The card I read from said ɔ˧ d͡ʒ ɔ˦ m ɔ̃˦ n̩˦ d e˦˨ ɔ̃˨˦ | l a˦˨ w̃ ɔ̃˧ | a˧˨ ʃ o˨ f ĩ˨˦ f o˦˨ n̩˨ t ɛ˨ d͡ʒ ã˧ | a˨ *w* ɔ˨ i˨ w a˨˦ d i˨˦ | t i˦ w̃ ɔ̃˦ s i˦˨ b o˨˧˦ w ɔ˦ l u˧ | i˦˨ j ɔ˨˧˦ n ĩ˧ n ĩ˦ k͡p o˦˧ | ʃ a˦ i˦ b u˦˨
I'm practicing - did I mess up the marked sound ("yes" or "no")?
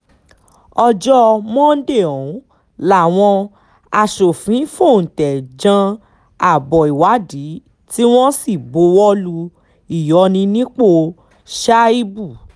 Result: yes